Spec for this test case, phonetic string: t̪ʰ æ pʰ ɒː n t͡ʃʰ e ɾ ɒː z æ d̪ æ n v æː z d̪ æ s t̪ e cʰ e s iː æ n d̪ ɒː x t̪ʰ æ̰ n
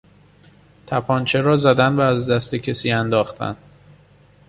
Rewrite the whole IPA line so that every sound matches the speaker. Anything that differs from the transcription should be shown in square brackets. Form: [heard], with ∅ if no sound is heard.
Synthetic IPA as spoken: t̪ʰ æ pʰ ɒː n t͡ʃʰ e ɾ ɒː z æ d̪ æ n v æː z d̪ æ s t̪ e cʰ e s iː æ n d̪ ɒː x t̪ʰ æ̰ n